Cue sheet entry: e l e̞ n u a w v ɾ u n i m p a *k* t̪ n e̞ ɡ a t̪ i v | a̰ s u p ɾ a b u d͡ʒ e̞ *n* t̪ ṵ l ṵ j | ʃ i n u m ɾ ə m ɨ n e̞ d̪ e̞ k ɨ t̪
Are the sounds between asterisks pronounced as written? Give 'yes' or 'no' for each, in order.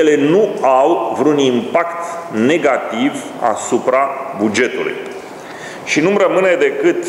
yes, no

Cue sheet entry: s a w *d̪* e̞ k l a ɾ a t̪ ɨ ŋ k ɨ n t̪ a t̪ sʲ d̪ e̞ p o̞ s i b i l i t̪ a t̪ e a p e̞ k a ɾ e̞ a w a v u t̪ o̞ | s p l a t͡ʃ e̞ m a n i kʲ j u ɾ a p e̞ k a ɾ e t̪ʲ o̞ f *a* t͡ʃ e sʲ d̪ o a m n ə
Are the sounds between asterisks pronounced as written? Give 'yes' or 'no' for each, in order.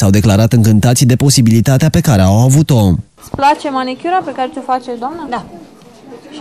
yes, yes

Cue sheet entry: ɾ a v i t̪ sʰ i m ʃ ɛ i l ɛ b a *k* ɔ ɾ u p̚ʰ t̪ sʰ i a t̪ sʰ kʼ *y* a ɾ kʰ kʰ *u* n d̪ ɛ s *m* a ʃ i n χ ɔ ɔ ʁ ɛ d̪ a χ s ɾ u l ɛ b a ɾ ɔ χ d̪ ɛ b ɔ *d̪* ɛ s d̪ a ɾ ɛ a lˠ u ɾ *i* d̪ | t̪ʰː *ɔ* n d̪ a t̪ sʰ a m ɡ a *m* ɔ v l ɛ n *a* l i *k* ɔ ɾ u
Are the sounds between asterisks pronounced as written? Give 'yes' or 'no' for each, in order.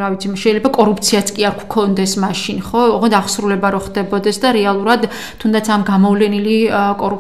no, no, no, yes, yes, no, no, yes, no, no

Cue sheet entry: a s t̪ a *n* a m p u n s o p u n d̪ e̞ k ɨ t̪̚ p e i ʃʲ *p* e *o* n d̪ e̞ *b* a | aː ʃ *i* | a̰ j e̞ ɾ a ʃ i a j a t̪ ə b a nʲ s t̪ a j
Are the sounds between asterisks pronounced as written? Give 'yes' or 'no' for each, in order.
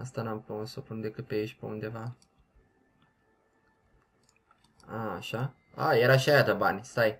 yes, yes, no, no, no

